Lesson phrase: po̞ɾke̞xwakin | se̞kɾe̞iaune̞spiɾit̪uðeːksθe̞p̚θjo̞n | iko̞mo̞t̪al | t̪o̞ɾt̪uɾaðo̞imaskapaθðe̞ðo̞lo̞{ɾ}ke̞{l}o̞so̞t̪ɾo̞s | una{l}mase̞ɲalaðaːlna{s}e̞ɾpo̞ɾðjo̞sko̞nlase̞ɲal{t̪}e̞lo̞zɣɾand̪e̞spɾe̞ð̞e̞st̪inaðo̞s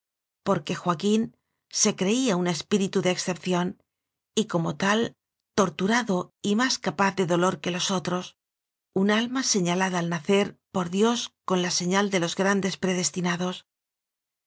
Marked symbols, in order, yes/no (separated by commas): yes, yes, yes, no, no